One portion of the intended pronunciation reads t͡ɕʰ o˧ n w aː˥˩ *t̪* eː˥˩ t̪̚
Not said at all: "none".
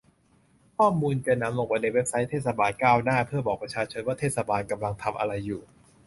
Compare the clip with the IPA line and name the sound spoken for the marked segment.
t̪ʰ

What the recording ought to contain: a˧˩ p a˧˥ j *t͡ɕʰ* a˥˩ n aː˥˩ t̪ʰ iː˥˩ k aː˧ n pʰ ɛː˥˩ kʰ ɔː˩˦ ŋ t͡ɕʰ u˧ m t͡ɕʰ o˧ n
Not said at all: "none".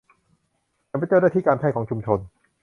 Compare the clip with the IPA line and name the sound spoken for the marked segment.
t͡ɕ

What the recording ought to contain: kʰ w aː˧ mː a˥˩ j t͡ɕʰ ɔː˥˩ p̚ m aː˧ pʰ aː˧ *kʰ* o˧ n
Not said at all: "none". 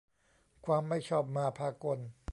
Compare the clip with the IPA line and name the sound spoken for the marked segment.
k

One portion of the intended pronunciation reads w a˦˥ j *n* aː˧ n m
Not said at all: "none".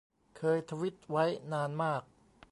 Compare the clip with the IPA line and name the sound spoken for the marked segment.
n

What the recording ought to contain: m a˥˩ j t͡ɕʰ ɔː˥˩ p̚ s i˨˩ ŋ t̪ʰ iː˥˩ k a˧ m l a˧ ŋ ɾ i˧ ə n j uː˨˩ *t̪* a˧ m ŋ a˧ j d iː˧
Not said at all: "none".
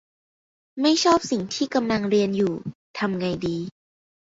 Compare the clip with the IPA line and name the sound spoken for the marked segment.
t̪ʰ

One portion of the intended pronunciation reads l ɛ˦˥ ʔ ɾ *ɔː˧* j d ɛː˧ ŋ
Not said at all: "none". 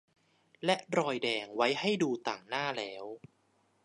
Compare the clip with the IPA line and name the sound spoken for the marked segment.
ɔː˧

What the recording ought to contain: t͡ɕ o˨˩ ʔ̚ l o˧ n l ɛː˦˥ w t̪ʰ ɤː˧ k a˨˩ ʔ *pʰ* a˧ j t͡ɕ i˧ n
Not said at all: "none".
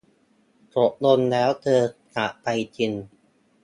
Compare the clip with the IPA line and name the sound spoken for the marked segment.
p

